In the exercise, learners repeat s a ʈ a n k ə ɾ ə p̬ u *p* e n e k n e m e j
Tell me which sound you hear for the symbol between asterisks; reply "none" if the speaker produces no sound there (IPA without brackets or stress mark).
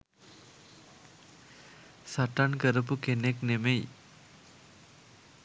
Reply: k